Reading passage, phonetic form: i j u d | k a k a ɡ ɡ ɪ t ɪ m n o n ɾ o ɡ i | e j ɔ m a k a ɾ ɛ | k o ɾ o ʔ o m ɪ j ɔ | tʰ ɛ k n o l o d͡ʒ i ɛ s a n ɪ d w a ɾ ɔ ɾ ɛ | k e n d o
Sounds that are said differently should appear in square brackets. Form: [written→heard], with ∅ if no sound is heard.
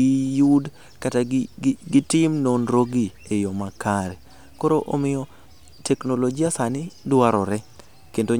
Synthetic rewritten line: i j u d | k a [k→t] a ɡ ɡ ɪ t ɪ m n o n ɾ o ɡ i | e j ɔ m a k a ɾ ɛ | k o ɾ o ʔ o m ɪ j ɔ | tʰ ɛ k n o l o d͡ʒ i [ɛ→a] s a n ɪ d w a ɾ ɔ ɾ ɛ | k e n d o